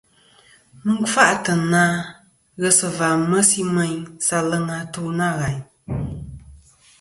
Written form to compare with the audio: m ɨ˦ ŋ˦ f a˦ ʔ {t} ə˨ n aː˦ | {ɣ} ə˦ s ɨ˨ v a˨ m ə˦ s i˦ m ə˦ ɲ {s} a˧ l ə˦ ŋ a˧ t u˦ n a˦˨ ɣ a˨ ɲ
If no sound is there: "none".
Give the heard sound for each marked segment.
t, ɣ, s

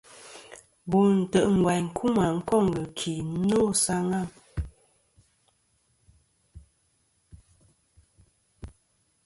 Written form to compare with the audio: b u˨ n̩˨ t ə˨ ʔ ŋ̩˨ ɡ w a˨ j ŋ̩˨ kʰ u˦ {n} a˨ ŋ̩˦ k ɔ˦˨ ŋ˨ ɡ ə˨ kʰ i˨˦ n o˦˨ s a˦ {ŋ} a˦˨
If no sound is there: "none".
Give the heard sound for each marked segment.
m, ŋ

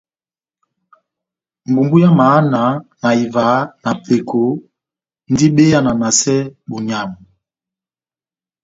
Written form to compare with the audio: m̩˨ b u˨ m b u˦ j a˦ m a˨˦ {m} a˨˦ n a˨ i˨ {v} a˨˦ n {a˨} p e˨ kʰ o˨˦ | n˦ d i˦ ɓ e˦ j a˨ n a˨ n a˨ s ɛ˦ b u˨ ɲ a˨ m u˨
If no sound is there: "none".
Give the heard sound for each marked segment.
n, v, a˨

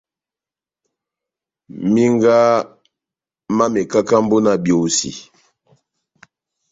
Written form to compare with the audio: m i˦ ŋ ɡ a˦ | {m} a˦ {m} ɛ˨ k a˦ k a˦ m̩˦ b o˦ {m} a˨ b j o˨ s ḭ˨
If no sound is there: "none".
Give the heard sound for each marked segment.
m, m, n

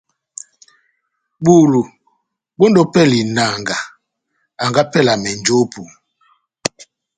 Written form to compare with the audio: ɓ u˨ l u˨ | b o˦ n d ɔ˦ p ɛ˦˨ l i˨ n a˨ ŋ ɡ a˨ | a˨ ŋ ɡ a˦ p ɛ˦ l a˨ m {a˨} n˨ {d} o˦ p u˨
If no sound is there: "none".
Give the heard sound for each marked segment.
ɛ˨, d͡ʒ

